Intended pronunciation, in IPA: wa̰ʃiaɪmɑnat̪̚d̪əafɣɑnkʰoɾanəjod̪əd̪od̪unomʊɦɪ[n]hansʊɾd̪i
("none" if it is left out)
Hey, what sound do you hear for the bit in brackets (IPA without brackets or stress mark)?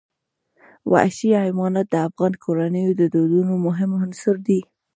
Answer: m